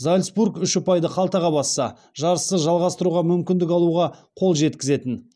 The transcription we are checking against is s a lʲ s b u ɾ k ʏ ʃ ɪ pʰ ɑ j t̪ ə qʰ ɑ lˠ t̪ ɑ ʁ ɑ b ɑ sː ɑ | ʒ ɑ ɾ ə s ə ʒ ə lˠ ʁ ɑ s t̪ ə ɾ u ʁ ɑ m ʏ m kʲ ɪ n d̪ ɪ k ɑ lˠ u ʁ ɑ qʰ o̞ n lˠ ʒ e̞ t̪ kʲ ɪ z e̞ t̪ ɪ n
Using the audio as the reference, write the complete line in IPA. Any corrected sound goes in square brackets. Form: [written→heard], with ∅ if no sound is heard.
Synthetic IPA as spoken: [s→z] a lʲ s b u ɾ k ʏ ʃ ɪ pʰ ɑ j [t̪→d̪] ə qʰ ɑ lˠ t̪ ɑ ʁ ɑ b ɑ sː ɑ | ʒ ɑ ɾ ə s ə ʒ [ə→ɑ] lˠ ʁ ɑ s t̪ ə ɾ u ʁ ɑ m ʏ m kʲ ɪ n d̪ ɪ k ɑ lˠ u ʁ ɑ qʰ o̞ [n→∅] lˠ ʒ e̞ t̪ kʲ ɪ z e̞ t̪ ɪ n

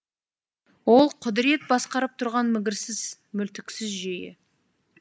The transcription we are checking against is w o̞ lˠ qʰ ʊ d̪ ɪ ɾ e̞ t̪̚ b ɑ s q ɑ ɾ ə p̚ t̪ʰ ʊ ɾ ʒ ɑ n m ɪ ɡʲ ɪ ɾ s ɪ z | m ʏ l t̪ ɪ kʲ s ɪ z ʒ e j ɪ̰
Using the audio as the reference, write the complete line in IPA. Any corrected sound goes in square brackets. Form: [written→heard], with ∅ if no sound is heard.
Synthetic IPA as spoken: w o̞ lˠ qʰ ʊ d̪ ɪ ɾ e̞ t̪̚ b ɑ s q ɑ ɾ ə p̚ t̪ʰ ʊ ɾ [ʒ→ʁ] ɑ n m ɪ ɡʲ ɪ ɾ s ɪ z | m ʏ l t̪ ɪ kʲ s ɪ z ʒ e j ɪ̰

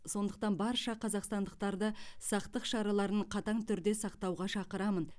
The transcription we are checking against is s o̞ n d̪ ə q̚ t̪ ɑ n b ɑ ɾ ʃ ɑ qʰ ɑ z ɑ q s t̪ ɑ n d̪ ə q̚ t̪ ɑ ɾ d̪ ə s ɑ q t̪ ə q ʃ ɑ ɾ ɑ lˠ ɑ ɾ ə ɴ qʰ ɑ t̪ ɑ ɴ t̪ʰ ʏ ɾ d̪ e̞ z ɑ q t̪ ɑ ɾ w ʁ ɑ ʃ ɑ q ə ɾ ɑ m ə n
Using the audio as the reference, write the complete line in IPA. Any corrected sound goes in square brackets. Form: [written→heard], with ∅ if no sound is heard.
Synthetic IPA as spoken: s o̞ n d̪ ə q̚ t̪ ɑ n b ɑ ɾ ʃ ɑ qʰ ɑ z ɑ q s t̪ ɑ n d̪ ə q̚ t̪ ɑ ɾ d̪ ə s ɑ q t̪ ə q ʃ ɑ ɾ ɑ lˠ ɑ ɾ ə ɴ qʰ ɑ t̪ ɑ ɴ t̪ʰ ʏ ɾ d̪ e̞ [z→s] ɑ q t̪ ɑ [ɾ→∅] w ʁ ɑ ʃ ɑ q ə ɾ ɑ m ə n

